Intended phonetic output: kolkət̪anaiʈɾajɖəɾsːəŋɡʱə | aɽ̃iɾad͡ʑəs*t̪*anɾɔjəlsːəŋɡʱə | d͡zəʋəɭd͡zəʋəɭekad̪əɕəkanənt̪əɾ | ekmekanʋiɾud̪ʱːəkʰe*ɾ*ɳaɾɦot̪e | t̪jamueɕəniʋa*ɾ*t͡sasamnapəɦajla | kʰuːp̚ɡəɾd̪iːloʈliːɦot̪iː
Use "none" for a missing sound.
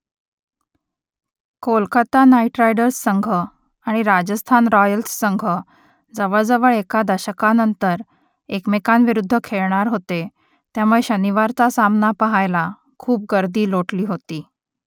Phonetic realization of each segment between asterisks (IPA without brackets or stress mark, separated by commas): t̪ʰ, ɭ, ɾ